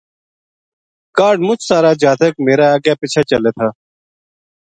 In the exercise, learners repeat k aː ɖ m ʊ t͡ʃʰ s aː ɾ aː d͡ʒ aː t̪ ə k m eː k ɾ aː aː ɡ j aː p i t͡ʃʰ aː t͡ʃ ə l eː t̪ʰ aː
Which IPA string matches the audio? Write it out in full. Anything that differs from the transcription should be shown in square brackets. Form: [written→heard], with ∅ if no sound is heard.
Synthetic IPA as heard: k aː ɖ m ʊ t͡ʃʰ s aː ɾ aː d͡ʒ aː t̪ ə k m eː [k→∅] ɾ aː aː ɡ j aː p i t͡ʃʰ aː t͡ʃ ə l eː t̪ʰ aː